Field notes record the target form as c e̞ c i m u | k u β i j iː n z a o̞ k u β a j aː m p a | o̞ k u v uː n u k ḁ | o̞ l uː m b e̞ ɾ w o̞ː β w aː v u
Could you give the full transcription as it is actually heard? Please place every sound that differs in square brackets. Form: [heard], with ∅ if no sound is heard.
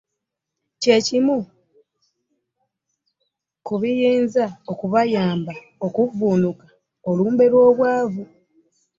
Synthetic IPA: c e̞ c i m u | k u β i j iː n z a o̞ k u β a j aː m [b] a | o̞ k u v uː n u k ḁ | o̞ l uː m b e̞ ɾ w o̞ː β w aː v u